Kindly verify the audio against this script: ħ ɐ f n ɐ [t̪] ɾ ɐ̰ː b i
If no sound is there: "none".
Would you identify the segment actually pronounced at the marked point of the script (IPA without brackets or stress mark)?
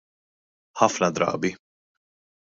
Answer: d̪